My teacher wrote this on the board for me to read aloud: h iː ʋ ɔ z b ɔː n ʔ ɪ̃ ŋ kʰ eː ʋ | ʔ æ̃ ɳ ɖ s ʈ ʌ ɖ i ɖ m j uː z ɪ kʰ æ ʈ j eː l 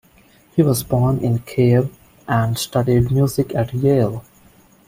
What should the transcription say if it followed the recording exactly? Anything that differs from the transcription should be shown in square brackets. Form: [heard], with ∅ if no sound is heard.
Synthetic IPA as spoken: h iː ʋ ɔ z b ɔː n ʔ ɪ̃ [n] kʰ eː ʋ | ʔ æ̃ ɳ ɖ s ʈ ʌ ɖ i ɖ m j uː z ɪ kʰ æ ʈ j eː l